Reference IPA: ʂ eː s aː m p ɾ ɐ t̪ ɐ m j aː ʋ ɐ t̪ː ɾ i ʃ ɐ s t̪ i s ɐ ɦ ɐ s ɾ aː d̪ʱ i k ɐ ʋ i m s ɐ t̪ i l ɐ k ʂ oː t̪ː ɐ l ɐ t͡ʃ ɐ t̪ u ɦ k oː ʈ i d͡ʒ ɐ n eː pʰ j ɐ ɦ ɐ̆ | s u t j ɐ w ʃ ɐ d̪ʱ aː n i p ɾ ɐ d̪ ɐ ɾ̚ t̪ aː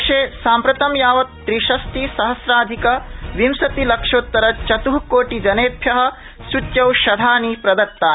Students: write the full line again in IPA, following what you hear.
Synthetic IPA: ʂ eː s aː m p ɾ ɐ t̪ ɐ m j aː ʋ ɐ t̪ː ɾ i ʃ ɐ s t̪ i s ɐ ɦ ɐ s ɾ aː d̪ʱ i k ɐ ʋ i m s ɐ t̪ i l ɐ k ʂ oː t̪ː ɐ ɾ ɐ t͡ʃ ɐ t̪ u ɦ k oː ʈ i d͡ʒ ɐ n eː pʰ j ɐ ɦ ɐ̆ | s u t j ɐ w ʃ ɐ d̪ʱ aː n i p ɾ ɐ d̪ ɐ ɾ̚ t̪ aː